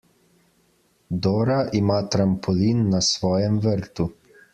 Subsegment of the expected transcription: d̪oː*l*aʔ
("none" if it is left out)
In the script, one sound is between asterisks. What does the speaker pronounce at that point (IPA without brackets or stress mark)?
ɾ